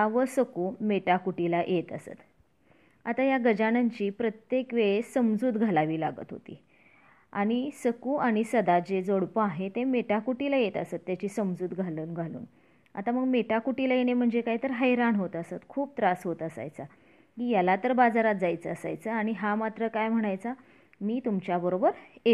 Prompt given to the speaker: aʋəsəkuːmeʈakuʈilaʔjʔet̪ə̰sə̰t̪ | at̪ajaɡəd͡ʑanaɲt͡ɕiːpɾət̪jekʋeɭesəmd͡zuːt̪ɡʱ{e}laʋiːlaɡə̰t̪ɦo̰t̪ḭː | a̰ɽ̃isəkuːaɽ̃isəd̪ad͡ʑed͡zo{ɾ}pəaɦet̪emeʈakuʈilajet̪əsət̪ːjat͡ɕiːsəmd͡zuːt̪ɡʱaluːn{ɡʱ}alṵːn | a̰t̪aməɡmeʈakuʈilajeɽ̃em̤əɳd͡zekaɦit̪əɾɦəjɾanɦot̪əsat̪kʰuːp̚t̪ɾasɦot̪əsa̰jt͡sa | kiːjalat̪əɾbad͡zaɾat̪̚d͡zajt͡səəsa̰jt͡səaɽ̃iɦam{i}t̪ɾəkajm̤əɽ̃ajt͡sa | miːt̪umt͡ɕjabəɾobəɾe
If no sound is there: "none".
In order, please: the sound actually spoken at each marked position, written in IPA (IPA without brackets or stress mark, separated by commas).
a, ɽ, ɡʱ, a